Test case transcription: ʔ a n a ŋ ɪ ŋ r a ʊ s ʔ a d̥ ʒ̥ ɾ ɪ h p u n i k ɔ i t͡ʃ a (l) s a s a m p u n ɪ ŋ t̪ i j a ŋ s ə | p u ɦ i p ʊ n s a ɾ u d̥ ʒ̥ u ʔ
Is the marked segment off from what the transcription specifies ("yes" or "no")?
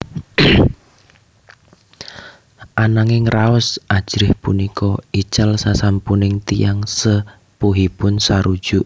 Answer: no